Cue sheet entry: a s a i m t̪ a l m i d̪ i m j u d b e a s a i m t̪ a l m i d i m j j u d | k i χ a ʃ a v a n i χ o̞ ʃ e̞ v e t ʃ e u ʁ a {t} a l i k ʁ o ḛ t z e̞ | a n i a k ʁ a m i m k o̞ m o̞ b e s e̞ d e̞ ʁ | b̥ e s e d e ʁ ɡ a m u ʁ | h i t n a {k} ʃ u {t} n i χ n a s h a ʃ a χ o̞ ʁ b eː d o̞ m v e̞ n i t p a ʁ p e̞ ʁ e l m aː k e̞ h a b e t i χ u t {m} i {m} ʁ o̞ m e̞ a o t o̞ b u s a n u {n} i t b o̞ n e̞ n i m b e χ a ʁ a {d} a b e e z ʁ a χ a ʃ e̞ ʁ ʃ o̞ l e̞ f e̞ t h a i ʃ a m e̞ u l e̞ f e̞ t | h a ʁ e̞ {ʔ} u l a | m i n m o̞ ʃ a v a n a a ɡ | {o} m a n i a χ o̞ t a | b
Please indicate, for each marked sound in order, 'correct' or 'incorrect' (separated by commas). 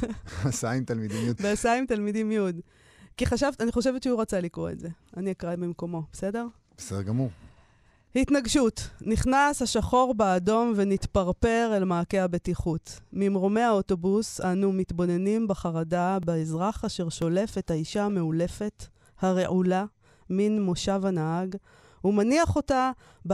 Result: incorrect, incorrect, correct, correct, correct, incorrect, correct, correct, incorrect